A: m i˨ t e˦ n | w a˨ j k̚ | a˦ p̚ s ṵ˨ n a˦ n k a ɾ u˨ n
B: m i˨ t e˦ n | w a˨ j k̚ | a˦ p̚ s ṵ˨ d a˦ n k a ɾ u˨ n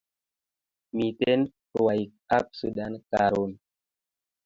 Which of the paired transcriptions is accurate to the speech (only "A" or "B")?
B